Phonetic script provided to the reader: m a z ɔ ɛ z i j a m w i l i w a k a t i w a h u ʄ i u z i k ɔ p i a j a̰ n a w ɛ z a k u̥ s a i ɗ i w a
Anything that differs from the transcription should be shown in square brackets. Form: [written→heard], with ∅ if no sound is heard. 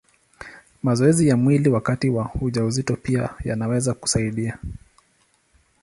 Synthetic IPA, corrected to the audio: m a z ɔ ɛ z i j a m w i l i w a k a t i w a h u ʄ [i→a] u z i [k→t] ɔ p i a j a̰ n a w ɛ z a k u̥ s a i ɗ i [w→∅] a